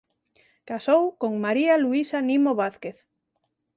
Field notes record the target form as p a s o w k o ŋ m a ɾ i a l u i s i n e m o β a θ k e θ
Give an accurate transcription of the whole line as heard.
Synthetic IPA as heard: k a s o w k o ŋ m a ɾ i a l u i s a n i m o β a θ k e θ

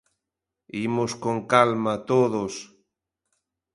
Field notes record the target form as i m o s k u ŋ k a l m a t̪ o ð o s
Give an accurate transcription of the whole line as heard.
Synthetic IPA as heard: i m o s k o ŋ k a l m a t̪ o ð o s

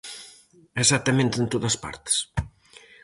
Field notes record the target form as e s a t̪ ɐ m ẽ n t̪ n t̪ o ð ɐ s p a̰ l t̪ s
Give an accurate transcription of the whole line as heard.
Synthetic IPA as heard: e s a t̪ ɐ m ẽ n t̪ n t̪ o ð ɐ s p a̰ ɾ t̪ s

